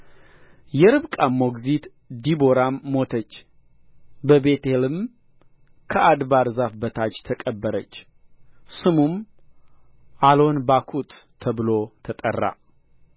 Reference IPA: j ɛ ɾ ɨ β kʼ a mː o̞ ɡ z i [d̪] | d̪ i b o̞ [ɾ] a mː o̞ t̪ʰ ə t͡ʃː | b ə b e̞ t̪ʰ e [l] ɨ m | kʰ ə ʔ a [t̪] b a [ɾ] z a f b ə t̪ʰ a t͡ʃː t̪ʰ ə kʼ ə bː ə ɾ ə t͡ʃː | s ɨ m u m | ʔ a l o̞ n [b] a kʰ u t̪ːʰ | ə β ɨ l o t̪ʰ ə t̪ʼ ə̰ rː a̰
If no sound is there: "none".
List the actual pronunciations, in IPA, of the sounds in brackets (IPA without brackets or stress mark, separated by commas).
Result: t̪, ɾ, l, d̪, ɾ, b